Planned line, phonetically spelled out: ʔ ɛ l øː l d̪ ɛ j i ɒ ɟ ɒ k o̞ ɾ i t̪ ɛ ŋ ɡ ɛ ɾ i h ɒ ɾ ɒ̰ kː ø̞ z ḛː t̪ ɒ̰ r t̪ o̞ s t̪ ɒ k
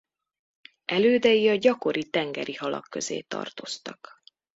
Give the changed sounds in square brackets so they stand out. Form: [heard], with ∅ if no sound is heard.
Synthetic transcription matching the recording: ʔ ɛ l øː [∅] d̪ ɛ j i ɒ ɟ ɒ k o̞ ɾ i t̪ ɛ ŋ ɡ ɛ ɾ i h ɒ [l] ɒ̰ kː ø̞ z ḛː t̪ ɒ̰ r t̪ o̞ s t̪ ɒ k